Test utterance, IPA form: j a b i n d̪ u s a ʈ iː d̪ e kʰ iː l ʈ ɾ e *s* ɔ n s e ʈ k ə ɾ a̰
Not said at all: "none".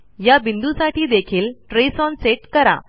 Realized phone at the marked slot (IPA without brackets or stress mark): s